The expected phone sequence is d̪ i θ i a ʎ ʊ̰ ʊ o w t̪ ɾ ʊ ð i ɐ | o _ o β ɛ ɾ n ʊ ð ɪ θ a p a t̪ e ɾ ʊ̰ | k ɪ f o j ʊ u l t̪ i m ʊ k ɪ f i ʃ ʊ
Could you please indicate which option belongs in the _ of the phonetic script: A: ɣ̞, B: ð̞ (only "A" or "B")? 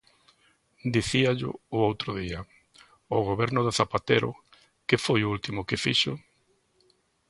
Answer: A